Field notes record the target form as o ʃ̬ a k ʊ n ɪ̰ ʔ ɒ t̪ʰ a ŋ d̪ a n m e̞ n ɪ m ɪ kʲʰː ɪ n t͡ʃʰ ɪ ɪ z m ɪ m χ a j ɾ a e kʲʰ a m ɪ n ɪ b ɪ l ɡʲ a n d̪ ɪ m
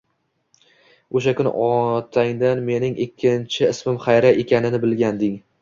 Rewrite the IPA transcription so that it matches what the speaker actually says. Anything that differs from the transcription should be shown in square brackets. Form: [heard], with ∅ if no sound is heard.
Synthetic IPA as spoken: o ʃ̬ a k ʊ n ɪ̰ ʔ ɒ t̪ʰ a ŋ d̪ a n m e̞ n ɪ [ŋ] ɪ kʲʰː ɪ n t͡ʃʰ ɪ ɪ [s] m ɪ m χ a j ɾ a e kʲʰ a [n] ɪ n ɪ b ɪ l ɡʲ a n d̪ ɪ [ŋ]